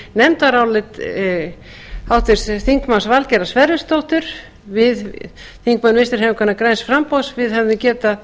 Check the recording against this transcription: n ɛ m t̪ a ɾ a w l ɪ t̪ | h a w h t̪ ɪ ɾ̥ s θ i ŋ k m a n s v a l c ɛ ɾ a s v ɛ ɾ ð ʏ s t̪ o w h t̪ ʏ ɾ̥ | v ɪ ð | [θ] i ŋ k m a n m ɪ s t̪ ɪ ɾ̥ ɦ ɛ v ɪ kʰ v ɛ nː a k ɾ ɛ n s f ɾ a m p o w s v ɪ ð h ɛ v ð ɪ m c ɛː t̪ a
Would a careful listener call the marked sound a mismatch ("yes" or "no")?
no